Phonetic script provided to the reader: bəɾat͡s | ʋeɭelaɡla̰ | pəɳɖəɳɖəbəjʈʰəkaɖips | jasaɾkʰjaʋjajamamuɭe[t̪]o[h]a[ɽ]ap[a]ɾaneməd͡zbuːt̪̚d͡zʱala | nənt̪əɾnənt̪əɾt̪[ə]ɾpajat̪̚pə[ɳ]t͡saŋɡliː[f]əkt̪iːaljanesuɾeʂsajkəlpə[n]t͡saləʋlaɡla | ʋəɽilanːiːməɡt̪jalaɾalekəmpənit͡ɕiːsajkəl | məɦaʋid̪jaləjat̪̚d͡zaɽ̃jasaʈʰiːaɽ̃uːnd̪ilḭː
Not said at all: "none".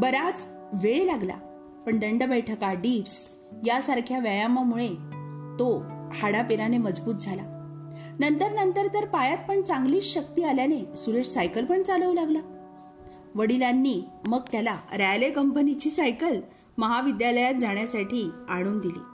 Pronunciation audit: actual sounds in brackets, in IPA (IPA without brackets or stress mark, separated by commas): t̪, h, ɽ, e, ə, ɳ, ɕ, ɳ